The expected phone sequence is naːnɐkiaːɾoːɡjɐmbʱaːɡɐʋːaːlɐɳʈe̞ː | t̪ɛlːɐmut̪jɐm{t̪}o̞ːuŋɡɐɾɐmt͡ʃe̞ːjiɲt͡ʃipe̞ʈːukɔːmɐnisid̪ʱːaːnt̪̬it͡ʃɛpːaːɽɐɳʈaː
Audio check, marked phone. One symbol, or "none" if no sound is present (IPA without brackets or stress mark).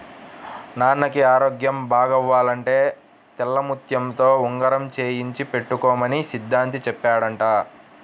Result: t̪